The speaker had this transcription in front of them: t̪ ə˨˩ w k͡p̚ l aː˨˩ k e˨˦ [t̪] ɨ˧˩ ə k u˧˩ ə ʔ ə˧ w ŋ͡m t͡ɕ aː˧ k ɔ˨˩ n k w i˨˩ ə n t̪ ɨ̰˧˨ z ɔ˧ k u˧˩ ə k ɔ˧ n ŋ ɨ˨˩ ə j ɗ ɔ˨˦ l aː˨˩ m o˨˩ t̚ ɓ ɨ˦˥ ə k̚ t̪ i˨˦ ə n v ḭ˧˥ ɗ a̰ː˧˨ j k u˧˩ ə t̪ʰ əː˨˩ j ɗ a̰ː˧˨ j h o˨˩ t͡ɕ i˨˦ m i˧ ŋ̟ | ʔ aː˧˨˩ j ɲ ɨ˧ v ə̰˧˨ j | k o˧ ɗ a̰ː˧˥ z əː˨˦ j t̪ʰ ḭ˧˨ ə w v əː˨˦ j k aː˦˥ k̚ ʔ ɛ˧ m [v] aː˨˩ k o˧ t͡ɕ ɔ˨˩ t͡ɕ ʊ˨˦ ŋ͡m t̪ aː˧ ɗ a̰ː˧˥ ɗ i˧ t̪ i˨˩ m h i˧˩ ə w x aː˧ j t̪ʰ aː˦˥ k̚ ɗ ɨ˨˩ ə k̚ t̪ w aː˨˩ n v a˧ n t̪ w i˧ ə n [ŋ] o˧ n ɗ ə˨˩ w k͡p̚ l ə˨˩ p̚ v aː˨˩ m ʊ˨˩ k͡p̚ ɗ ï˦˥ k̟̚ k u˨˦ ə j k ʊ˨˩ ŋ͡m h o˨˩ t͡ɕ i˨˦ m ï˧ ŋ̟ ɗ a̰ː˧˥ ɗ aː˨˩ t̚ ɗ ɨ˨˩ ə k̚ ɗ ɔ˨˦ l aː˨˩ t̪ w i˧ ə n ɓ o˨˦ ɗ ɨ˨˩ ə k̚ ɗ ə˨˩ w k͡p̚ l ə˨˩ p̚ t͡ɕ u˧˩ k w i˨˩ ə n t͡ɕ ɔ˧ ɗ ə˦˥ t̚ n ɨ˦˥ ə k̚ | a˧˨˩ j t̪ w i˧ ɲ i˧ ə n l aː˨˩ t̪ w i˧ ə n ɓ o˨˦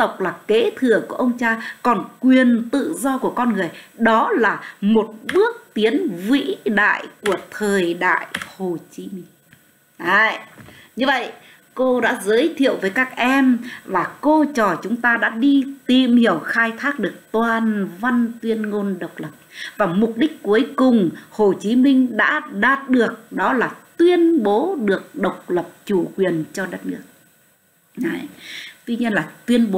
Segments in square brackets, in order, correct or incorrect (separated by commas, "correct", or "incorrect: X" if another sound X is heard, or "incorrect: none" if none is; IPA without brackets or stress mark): incorrect: t̪ʰ, correct, correct